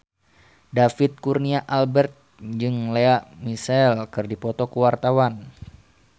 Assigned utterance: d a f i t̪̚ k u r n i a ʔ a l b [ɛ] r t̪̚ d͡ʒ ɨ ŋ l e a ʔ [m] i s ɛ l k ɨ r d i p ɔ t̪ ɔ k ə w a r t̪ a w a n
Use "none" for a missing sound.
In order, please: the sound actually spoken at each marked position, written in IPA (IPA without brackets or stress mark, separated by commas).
ɛ, m